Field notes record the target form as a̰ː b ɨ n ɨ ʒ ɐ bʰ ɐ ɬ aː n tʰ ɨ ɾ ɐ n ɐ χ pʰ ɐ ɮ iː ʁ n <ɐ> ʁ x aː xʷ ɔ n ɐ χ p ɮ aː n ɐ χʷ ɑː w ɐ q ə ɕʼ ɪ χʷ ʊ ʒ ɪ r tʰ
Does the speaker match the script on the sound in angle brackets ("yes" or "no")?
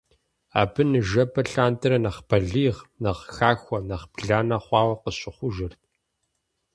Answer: yes